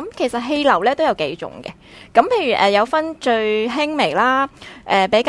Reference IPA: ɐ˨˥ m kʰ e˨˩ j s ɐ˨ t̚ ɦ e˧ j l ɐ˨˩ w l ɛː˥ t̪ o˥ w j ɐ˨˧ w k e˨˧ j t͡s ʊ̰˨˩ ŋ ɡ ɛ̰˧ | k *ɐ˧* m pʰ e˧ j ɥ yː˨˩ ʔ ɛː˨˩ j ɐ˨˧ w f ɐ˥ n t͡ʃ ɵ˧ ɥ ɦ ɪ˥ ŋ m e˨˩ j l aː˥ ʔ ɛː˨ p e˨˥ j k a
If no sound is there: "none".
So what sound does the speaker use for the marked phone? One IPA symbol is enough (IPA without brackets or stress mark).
ɐ˨˥